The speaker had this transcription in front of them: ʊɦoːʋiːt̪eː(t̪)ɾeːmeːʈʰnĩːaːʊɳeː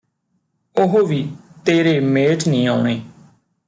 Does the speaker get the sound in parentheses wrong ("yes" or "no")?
yes